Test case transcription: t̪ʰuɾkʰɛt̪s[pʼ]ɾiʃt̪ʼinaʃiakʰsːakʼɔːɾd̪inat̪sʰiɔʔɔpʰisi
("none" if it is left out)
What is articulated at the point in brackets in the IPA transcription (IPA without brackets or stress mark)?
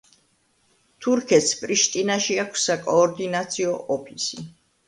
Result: pʼ